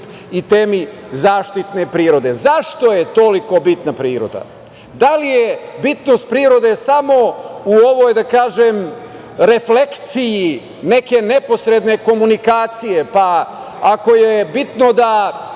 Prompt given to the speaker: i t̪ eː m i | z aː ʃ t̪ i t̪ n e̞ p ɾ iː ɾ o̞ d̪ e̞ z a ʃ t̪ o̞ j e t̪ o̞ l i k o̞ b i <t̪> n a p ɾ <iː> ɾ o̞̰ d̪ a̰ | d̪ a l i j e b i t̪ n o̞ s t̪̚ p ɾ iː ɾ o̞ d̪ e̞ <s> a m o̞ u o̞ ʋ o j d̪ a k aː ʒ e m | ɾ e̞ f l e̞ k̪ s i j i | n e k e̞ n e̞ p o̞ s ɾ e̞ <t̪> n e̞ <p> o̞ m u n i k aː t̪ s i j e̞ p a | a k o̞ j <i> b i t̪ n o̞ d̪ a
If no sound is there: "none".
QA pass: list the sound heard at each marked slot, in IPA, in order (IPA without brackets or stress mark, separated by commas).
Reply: t̪, iː, s, d̪, k, e